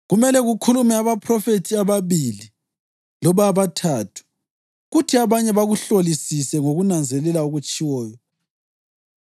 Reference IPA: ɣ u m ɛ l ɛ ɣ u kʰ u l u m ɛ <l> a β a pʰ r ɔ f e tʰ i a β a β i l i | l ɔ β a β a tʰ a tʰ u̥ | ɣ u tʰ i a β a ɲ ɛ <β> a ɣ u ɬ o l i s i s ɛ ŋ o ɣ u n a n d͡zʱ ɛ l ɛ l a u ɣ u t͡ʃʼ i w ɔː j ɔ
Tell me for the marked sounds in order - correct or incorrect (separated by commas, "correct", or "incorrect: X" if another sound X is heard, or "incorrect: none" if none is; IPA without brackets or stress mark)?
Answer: incorrect: none, correct